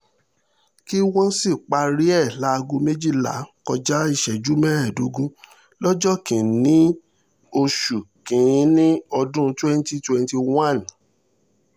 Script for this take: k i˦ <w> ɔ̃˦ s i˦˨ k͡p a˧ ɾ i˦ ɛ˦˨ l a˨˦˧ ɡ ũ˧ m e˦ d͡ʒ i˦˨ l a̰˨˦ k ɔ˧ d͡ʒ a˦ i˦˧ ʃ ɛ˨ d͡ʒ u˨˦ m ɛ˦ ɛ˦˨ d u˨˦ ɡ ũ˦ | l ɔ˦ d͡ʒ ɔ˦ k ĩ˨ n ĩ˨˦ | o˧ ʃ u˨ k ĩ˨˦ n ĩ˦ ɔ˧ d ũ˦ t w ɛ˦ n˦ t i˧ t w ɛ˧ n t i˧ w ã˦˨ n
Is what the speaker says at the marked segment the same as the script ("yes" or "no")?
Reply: yes